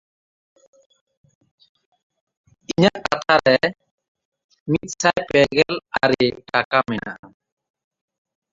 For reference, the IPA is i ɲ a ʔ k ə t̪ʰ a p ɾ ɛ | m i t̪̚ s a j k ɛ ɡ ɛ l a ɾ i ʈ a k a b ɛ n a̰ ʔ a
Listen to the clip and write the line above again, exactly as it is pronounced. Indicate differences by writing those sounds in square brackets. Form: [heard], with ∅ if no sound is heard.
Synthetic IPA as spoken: i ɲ a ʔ k [a] t̪ʰ a [∅] ɾ ɛ | m i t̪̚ s a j [p] ɛ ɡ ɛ l a ɾ i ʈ a k a [m] ɛ n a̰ ʔ a